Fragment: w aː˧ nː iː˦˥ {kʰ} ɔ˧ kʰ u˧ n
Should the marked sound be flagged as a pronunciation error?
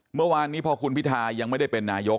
yes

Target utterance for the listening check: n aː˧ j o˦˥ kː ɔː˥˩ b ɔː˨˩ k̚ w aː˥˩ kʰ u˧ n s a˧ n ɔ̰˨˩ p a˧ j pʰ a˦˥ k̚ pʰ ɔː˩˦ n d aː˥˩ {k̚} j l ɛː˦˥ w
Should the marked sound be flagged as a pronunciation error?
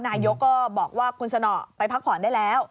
yes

